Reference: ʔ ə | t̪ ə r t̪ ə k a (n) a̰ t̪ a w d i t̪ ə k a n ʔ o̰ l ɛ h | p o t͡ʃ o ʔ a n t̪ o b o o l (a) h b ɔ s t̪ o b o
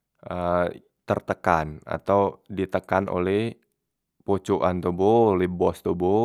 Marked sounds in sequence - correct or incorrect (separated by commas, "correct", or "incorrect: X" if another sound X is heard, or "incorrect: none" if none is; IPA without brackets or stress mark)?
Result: correct, incorrect: ɛ